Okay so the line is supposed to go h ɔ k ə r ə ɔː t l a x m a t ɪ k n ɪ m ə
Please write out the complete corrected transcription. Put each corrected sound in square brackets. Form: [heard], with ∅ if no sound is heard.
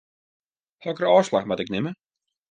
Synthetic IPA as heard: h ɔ k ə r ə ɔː [s] l a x m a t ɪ k n ɪ m ə